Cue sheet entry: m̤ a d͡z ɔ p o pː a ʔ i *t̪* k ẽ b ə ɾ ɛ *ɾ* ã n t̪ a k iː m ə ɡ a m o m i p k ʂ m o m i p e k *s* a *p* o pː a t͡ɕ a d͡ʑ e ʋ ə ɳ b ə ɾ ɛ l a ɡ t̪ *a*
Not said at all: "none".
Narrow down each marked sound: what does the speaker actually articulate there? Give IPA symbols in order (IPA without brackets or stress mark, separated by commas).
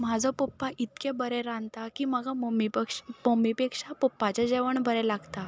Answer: t̪, ɾ, ʂ, p, a